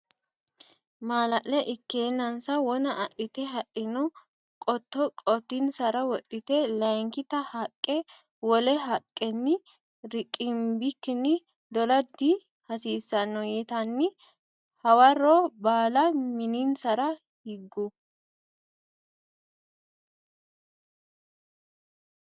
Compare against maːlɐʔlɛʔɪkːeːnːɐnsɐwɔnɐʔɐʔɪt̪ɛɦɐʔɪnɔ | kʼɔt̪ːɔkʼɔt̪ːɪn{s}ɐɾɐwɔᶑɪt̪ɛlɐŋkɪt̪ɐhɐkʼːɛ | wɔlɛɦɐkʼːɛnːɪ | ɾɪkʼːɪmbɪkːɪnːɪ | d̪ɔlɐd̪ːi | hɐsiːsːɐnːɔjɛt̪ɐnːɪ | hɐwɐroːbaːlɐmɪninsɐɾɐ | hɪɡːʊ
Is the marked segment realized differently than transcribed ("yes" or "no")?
no